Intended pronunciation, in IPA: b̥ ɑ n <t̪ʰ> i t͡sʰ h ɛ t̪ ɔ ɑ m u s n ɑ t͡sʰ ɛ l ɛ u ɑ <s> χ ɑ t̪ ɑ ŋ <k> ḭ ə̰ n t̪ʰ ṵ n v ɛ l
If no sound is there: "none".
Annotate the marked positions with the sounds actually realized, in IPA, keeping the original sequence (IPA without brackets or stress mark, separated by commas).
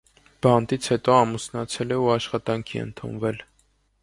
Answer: t̪, ʃ, kʰ